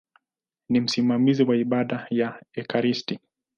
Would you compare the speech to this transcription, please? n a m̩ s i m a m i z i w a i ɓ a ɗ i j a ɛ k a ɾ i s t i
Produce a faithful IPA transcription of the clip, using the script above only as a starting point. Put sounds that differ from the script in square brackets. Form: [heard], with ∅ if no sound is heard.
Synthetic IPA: n [i] m̩ s i m a m i z i w a i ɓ a ɗ [a] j a ɛ k a ɾ i s t i